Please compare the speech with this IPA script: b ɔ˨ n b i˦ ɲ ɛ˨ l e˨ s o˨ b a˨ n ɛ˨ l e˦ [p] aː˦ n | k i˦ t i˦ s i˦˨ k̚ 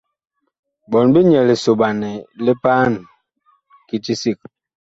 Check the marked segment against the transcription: correct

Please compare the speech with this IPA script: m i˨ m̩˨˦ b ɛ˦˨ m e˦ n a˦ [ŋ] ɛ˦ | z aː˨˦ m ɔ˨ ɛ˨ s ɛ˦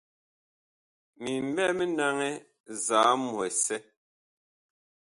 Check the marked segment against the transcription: correct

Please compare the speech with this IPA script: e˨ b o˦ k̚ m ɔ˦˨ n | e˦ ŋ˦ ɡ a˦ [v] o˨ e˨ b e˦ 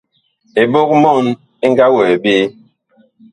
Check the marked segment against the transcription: incorrect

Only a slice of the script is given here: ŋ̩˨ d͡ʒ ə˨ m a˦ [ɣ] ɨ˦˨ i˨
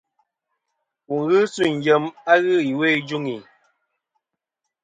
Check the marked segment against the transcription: correct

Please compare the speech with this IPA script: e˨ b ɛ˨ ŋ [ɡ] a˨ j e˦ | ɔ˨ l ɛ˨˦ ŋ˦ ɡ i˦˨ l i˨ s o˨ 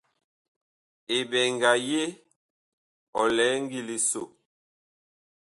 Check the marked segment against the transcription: correct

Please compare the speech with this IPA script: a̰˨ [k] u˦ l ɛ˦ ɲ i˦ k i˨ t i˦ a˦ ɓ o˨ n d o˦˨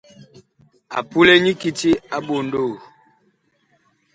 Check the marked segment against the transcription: incorrect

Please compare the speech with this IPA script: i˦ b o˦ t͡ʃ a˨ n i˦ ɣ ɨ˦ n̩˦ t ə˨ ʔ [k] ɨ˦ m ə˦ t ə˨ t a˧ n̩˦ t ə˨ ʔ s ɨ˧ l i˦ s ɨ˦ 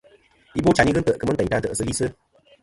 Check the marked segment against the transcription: correct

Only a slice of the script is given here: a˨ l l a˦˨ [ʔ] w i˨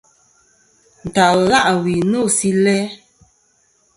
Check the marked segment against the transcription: correct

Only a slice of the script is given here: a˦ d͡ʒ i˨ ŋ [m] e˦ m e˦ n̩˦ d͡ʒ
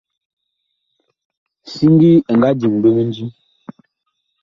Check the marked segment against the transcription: incorrect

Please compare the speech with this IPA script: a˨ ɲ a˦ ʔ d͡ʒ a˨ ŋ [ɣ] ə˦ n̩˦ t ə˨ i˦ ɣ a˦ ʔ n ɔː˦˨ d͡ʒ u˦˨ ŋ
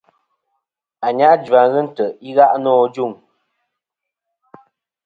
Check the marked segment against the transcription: correct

